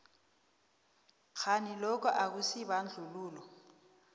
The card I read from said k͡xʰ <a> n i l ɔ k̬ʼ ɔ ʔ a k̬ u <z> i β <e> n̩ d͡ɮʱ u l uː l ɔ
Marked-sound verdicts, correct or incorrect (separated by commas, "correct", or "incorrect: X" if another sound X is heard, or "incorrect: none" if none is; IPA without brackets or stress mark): correct, incorrect: s, incorrect: a